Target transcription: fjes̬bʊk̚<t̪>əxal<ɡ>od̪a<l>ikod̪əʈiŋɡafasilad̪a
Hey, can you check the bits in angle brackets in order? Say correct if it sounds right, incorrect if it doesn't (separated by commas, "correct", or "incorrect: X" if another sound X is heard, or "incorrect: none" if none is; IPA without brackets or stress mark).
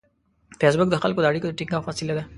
incorrect: d̪, incorrect: k, incorrect: ɽ